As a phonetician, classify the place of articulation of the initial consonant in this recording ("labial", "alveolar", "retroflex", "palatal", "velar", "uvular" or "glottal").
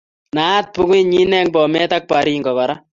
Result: alveolar